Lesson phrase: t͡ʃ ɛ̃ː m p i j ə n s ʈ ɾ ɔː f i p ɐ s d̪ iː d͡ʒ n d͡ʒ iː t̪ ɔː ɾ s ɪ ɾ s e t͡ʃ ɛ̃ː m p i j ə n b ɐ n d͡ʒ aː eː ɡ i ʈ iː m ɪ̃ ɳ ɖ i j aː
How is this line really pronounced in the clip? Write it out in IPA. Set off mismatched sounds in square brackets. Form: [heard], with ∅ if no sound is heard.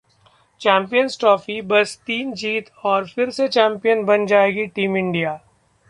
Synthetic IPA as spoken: t͡ʃ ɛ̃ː m p i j ə n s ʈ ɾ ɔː f i [b] ɐ s [t̪] iː [∅] n d͡ʒ iː t̪ ɔː ɾ [f] ɪ ɾ s e t͡ʃ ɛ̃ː m p i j ə n b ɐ n d͡ʒ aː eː ɡ i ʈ iː m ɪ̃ ɳ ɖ i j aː